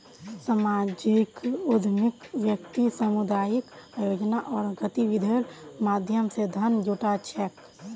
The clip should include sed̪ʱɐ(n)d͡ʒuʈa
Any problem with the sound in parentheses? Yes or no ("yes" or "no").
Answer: no